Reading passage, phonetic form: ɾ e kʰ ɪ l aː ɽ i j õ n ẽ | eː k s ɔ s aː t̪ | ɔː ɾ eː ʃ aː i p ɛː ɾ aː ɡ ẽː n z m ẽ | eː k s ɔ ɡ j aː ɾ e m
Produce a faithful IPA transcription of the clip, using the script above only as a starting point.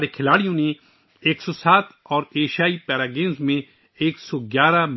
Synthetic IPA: ɾ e kʰ ɪ l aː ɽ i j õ n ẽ | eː k s ɔ s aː t̪ | ɔː ɾ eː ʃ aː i p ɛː ɾ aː ɡ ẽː n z m ẽ | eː k s ɔ ɡ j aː ɾ a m